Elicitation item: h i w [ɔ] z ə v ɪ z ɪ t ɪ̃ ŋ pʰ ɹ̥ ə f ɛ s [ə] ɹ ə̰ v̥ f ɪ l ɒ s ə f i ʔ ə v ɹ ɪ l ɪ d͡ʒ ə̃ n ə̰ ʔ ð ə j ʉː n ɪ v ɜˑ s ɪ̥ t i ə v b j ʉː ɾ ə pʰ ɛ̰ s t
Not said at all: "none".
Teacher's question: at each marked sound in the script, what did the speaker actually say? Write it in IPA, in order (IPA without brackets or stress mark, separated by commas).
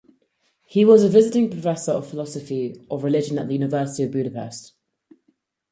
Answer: ɒ, ə